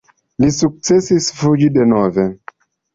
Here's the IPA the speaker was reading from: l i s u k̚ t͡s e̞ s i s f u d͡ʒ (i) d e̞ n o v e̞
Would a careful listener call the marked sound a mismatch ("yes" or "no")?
no